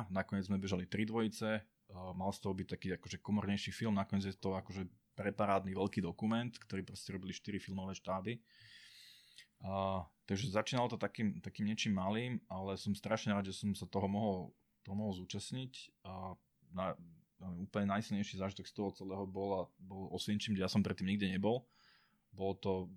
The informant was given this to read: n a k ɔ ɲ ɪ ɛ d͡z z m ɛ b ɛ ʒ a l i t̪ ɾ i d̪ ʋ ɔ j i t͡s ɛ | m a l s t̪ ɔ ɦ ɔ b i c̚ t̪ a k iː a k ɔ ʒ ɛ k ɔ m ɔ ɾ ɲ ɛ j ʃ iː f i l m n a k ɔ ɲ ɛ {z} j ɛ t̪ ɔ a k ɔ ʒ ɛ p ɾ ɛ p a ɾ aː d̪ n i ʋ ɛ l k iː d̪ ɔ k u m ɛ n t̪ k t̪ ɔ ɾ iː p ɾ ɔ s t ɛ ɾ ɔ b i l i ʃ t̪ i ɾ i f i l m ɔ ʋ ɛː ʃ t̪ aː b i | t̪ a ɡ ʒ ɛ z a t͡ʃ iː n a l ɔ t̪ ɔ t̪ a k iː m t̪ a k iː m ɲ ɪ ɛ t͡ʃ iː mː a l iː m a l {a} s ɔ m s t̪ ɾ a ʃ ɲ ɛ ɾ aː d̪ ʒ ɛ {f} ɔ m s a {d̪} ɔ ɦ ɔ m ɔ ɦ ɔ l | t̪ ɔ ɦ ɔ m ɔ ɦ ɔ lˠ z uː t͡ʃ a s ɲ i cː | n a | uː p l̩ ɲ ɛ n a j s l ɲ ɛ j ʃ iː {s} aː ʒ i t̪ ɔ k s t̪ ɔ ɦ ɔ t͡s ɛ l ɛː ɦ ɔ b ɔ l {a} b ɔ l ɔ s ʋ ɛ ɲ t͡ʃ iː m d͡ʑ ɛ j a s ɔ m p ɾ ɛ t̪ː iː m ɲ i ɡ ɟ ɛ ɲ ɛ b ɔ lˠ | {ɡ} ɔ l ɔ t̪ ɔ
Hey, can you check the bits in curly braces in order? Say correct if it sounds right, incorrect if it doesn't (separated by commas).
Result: incorrect, incorrect, incorrect, incorrect, incorrect, correct, incorrect